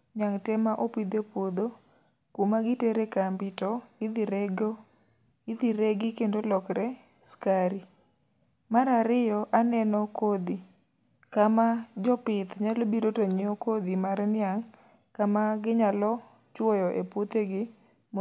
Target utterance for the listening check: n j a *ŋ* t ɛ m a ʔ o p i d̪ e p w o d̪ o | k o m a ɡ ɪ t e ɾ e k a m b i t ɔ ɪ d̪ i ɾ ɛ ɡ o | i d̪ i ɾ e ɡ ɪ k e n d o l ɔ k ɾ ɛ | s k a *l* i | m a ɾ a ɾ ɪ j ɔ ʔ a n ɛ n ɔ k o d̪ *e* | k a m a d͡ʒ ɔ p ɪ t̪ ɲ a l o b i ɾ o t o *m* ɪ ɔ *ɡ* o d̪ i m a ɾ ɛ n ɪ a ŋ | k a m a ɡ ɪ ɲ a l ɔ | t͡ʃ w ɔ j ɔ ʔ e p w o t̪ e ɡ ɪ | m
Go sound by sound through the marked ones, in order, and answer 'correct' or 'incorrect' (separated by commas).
correct, incorrect, incorrect, incorrect, incorrect